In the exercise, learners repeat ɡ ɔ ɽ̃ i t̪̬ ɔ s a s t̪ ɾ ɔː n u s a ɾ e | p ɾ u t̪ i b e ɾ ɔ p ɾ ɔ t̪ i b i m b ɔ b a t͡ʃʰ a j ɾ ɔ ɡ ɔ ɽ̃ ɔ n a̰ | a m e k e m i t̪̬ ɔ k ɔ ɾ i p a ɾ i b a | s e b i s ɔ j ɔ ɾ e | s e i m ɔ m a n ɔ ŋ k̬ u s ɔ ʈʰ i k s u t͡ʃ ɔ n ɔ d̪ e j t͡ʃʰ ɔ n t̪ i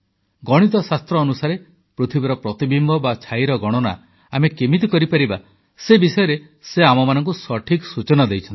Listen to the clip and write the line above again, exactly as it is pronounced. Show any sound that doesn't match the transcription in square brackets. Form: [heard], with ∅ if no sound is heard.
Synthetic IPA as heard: ɡ ɔ ɽ̃ i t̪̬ ɔ s a s t̪ ɾ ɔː n u s a ɾ e | p ɾ u [t̪ʰ] i b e ɾ ɔ p ɾ ɔ t̪ i b i m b ɔ b a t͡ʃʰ a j ɾ ɔ ɡ ɔ ɽ̃ ɔ n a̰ | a m e k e m i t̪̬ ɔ k ɔ ɾ i p a ɾ i b a | s e b i s ɔ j ɔ ɾ e | s e [a] m ɔ m a n ɔ ŋ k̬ u s ɔ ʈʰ i k s u t͡ʃ ɔ n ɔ d̪ e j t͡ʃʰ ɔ n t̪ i